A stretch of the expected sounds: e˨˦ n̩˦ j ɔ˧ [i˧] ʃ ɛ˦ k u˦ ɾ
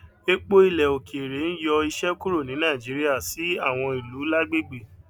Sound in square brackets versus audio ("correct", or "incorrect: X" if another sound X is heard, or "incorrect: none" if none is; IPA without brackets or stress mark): correct